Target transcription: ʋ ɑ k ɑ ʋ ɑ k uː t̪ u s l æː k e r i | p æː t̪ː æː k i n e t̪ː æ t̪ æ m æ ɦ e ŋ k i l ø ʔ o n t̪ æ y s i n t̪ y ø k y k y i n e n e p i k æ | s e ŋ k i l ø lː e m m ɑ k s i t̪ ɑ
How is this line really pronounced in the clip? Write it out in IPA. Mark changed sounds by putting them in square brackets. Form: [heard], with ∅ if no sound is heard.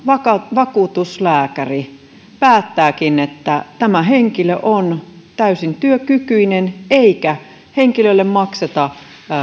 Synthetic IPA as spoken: ʋ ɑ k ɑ ʋ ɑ k uː t̪ u s l æː k [æ] r i | p æː t̪ː æː k i n e t̪ː æ t̪ æ m æ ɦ e ŋ k i l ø ʔ o n t̪ æ y s i n t̪ y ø k y k y i n e n e [∅] i k æ | [h] e ŋ k i l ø lː e m m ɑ k s [e] t̪ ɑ